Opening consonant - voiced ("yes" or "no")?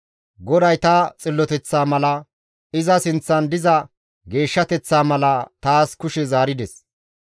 yes